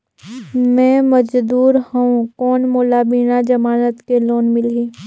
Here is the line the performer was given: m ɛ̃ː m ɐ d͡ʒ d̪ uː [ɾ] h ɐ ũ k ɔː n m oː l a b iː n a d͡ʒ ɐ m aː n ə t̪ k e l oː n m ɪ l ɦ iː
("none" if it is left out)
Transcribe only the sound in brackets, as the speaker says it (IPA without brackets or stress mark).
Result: ɾ